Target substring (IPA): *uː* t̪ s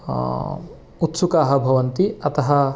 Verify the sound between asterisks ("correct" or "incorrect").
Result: incorrect